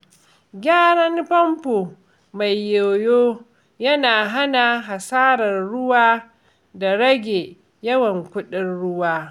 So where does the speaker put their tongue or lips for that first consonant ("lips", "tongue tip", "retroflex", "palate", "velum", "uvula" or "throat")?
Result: velum